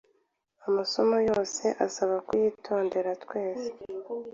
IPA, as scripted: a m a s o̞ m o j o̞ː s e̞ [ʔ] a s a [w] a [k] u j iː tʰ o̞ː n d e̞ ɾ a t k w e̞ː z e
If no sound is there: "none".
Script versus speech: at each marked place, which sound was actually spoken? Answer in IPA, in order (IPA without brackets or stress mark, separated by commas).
ʔ, β, k